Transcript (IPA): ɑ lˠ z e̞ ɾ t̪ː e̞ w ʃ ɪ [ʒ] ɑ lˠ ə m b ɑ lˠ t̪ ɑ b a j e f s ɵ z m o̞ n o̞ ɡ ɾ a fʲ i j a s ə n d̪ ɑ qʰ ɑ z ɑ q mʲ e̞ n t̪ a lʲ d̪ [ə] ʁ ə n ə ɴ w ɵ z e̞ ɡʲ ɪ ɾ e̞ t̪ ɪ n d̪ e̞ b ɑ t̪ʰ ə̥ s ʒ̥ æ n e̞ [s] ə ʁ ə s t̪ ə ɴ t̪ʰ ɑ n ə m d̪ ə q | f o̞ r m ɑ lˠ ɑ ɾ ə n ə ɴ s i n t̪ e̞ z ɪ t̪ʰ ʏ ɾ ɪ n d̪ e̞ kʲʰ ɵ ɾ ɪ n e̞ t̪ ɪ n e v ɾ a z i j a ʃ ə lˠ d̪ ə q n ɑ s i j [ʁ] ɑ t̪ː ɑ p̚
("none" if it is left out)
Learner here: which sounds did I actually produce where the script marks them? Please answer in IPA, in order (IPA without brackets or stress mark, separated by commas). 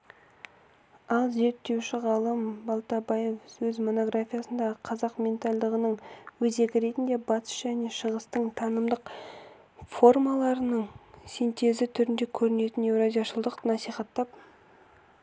ʁ, ə, ʃ, χ